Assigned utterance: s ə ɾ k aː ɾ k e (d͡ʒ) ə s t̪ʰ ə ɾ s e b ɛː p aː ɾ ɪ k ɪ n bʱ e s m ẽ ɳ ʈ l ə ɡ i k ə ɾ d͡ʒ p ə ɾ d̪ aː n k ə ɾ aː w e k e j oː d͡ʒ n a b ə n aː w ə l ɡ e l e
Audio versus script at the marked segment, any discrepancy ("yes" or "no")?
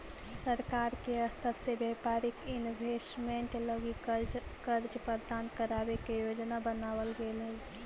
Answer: yes